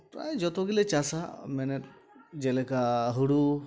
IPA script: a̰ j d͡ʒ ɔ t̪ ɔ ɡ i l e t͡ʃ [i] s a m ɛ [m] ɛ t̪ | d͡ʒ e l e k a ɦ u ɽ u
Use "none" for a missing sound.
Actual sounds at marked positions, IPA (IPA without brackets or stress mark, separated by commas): a, n